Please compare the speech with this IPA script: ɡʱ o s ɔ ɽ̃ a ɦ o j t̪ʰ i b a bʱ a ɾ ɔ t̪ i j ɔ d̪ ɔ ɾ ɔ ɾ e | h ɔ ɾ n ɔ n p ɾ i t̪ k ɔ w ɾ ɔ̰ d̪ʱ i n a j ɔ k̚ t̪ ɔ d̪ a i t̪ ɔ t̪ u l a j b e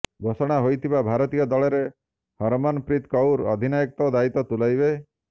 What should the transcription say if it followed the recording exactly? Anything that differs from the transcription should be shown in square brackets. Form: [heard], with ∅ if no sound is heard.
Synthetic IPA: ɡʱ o s ɔ ɽ̃ a ɦ o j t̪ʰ i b a bʱ a ɾ ɔ t̪ i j ɔ d̪ ɔ [ɭ] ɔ ɾ e | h ɔ ɾ [m] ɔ n p ɾ i t̪ k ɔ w ɾ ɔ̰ d̪ʱ i n a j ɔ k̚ t̪ ɔ d̪ a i t̪ ɔ t̪ u l a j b e